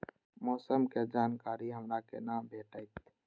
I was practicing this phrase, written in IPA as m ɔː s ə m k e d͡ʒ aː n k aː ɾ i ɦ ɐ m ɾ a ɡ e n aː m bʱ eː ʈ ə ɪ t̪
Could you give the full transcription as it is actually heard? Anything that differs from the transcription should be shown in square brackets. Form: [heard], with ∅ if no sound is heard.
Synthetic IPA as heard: m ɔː s ə m k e d͡ʒ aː n k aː ɾ i ɦ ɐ m ɾ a [k] e n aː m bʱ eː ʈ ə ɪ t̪